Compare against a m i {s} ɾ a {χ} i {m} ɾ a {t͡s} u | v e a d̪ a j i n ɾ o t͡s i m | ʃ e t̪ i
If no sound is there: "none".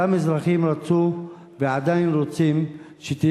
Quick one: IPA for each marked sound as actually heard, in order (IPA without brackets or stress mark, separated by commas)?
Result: z, χ, m, t͡s